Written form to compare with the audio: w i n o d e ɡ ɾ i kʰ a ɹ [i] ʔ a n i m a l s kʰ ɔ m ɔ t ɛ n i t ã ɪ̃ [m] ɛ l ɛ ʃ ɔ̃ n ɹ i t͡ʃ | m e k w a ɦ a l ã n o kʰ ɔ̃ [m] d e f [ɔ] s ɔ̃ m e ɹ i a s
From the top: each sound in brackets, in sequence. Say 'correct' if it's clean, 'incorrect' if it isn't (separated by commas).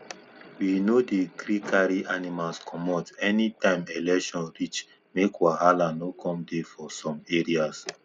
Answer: correct, correct, correct, correct